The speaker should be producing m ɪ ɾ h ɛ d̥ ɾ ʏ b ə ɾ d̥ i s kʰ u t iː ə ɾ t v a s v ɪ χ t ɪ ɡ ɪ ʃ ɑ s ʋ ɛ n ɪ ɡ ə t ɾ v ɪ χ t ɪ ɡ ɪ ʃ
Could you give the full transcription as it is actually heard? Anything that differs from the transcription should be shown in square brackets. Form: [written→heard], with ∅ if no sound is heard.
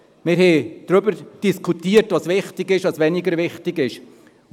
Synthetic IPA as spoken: m ɪ ɾ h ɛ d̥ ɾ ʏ b ə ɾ d̥ i s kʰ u t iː ə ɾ t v [a→ɑ] s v ɪ χ t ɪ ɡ ɪ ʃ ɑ s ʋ ɛ n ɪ ɡ ə [t→∅] ɾ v ɪ χ t ɪ ɡ ɪ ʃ